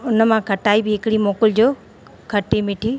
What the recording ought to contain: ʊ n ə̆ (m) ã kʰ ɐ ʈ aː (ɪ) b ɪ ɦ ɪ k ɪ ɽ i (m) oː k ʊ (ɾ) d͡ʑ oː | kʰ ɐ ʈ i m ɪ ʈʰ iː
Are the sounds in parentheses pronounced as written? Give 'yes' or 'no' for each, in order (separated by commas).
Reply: yes, no, yes, no